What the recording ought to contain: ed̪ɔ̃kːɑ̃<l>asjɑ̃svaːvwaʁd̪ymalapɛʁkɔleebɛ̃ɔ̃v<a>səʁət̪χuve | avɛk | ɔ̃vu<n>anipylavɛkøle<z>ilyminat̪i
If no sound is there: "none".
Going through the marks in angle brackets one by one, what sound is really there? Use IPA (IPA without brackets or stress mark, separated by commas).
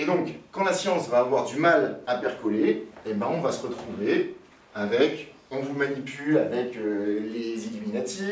l, a, m, z